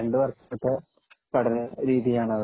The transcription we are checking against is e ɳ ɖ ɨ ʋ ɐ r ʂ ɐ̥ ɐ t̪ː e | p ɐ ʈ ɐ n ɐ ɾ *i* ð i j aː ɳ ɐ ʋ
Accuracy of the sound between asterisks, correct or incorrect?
incorrect